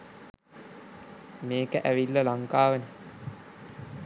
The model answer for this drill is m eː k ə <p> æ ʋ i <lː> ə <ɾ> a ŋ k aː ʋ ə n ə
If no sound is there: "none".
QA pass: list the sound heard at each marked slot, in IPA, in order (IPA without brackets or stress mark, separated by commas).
ʔ, lː, l